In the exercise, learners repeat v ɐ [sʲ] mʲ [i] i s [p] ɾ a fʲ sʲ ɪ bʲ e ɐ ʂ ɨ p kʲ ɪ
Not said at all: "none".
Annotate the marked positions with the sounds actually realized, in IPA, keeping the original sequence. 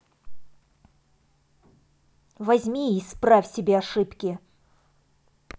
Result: zʲ, i, p

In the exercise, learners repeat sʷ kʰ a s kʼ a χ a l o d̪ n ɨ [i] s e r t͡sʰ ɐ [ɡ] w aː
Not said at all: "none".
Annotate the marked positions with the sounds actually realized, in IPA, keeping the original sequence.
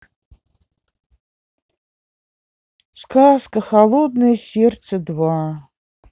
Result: j, d

